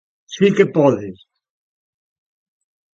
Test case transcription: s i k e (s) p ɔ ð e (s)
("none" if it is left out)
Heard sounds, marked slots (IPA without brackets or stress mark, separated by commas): none, s